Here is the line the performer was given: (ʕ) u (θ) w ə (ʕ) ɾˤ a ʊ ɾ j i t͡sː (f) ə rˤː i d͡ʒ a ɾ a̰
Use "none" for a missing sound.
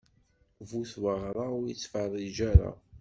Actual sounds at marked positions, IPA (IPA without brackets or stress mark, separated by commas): v, θ, ʁ, f